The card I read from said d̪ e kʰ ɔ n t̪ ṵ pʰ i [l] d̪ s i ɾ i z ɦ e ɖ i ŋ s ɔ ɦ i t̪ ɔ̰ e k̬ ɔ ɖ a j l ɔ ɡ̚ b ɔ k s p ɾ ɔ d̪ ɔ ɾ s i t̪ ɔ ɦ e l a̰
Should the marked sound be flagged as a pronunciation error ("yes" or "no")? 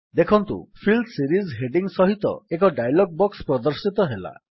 no